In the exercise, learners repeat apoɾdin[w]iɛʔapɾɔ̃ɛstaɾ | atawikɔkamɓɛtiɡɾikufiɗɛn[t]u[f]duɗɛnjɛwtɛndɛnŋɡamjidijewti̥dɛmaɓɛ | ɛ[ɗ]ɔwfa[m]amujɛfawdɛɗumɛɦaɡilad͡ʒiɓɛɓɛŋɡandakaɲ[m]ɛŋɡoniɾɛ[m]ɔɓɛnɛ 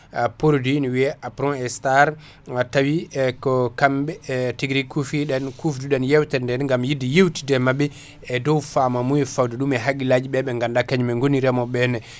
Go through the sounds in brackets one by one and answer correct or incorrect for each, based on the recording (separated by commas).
correct, incorrect, correct, incorrect, correct, correct, correct